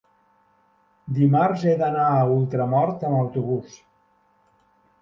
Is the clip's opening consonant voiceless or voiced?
voiced